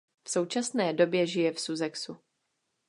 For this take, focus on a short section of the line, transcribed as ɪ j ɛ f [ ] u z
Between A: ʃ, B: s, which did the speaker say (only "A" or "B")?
B